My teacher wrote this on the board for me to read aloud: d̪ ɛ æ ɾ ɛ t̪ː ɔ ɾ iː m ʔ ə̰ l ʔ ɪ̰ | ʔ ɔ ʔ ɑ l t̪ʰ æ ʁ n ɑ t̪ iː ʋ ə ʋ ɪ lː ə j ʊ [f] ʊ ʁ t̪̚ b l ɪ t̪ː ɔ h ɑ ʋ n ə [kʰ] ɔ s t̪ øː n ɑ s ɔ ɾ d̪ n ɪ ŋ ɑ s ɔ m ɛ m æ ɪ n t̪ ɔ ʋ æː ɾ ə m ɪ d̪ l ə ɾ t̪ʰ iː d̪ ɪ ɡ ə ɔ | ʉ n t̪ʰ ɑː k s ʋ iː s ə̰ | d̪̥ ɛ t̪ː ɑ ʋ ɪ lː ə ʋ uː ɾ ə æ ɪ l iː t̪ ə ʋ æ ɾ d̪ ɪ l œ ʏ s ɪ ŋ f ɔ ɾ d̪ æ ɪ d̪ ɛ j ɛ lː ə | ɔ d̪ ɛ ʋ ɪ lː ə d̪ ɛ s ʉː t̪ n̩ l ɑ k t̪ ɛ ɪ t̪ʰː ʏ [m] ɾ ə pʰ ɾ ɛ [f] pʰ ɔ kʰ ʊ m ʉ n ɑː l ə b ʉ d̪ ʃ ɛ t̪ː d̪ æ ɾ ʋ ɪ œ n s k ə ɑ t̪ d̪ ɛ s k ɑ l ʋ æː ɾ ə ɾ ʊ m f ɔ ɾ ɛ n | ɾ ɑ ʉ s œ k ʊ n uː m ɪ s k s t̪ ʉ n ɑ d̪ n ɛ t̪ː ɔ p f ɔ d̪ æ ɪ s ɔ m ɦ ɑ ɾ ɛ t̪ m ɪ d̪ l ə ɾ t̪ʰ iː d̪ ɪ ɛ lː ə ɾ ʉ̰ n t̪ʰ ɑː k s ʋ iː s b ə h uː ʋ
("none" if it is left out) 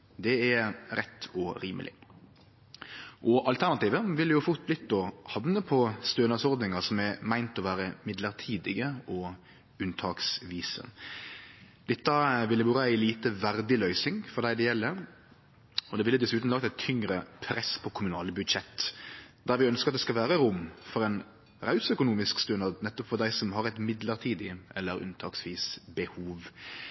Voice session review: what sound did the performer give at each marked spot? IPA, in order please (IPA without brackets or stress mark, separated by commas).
f, pʰ, ŋ, s